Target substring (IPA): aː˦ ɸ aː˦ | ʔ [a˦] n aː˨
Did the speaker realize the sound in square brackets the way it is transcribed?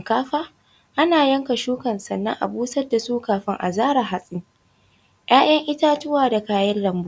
yes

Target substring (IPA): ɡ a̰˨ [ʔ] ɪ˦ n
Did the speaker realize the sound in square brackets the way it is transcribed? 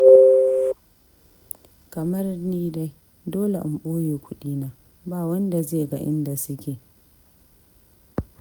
yes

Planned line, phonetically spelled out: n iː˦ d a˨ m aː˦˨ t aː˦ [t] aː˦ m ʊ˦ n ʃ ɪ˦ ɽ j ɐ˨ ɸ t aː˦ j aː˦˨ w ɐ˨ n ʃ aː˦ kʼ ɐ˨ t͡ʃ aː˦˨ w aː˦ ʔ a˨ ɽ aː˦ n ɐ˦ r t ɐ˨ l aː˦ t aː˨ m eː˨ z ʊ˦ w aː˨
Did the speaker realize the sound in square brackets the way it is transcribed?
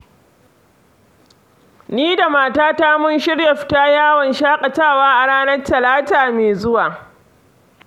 yes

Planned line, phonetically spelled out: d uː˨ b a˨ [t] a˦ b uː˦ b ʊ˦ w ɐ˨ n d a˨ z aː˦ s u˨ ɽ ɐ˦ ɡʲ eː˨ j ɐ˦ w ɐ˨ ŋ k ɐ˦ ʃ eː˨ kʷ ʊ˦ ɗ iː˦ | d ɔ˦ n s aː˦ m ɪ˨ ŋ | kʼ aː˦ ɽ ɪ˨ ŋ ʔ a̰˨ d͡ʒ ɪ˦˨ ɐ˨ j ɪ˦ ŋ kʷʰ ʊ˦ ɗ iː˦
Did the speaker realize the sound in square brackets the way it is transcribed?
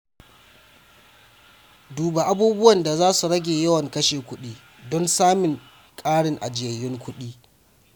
no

